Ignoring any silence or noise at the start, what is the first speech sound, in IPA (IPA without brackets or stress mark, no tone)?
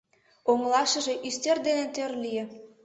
o